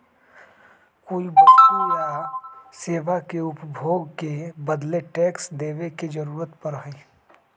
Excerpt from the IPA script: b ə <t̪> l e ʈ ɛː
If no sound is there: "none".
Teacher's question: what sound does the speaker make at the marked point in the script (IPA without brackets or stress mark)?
d̪